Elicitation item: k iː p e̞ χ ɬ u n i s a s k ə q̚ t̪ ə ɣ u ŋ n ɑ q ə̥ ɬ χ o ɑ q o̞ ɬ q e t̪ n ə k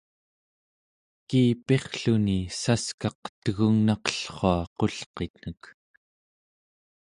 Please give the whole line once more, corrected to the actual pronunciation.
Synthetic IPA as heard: k iː p e̞ χ ɬ u n i s a s k ɑ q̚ t̪ ə ɣ u ŋ n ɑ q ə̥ ɬ χ o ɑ q o̞ ɬ q e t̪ n ə k